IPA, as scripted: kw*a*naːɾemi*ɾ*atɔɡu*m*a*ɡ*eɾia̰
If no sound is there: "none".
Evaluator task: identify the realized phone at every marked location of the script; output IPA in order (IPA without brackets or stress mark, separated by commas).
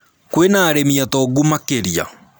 e, none, m, k